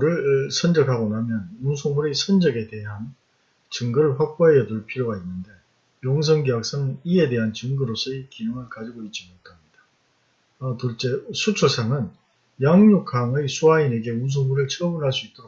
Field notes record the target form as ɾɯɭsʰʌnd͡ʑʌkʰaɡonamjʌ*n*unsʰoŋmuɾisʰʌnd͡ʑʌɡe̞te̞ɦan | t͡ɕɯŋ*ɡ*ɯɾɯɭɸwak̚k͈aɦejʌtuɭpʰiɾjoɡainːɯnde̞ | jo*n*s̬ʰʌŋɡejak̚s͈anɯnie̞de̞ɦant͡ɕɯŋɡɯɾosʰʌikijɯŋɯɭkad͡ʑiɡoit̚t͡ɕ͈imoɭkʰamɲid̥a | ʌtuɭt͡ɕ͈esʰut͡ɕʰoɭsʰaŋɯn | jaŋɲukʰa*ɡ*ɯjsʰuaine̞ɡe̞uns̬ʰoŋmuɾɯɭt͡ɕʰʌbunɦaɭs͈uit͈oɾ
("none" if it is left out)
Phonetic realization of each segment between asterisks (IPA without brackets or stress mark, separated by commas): n, ɡ, ŋ, ŋ